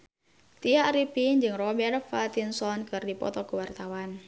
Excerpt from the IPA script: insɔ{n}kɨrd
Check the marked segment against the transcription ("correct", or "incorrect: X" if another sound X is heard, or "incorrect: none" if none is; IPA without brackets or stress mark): correct